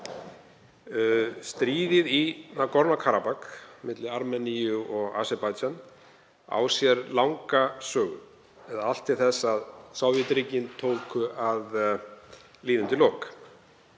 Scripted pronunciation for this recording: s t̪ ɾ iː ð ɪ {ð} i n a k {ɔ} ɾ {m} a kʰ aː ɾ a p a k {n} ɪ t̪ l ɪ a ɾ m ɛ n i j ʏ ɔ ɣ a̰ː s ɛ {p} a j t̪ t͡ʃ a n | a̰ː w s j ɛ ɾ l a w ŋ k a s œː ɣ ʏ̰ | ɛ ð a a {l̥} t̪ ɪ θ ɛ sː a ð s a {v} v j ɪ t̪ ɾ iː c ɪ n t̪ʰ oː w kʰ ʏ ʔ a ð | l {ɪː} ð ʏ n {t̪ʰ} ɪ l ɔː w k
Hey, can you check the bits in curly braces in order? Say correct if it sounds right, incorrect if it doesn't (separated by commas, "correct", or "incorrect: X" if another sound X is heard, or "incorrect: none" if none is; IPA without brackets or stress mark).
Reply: correct, correct, incorrect: n, incorrect: m, correct, correct, incorrect: w, incorrect: iː, incorrect: t̪